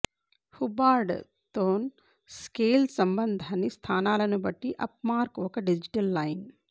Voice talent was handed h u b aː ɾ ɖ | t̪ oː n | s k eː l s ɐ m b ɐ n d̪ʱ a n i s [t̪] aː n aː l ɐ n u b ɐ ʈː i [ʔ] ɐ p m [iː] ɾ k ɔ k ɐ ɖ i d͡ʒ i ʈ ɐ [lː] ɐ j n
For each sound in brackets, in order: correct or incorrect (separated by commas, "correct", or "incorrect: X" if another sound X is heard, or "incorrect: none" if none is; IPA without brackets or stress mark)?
incorrect: t̪ʰ, correct, incorrect: aː, correct